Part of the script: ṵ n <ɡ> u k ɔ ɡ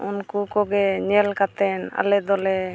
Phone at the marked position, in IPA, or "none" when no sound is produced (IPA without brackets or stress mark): k